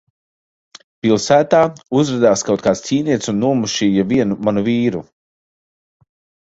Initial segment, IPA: p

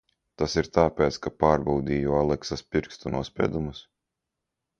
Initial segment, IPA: t̪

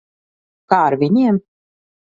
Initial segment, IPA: k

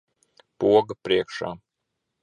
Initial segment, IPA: p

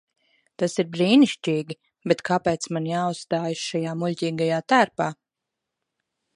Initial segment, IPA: t̪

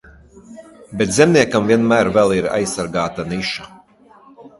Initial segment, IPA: b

